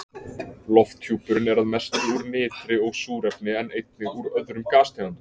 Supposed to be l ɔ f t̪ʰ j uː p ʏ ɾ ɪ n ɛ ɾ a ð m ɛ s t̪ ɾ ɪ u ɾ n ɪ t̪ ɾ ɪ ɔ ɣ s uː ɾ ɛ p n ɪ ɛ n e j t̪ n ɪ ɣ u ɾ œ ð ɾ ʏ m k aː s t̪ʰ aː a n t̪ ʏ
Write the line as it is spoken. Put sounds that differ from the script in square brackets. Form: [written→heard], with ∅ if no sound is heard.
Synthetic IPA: l ɔ f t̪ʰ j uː p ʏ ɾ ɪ n ɛ ɾ a ð m ɛ s t̪ ɾ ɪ u ɾ n [ɪ→ɪː] t̪ ɾ ɪ ɔ ɣ s uː ɾ ɛ p n ɪ ɛ n e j t̪ n ɪ ɣ u ɾ œ ð ɾ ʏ m k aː s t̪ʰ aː a n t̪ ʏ